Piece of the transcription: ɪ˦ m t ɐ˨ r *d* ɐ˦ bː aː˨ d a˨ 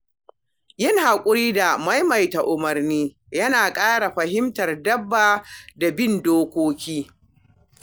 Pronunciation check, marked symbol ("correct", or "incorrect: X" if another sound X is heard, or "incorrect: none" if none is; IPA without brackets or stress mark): correct